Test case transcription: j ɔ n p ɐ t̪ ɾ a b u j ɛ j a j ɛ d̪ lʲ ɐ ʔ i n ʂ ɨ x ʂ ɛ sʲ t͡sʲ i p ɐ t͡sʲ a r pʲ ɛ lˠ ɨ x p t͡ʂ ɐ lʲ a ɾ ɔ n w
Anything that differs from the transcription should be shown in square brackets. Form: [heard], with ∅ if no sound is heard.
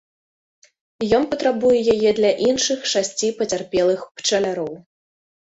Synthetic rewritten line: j ɔ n p ɐ t̪ ɾ a b u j ɛ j a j ɛ d̪ lʲ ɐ ʔ i n ʂ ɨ x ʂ [a] sʲ t͡sʲ i p ɐ t͡sʲ a r pʲ ɛ lˠ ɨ x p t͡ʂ ɐ lʲ a ɾ ɔ [∅] w